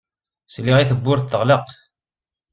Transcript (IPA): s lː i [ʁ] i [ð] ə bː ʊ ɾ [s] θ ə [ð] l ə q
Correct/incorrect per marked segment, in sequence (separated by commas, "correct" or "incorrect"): correct, incorrect, incorrect, incorrect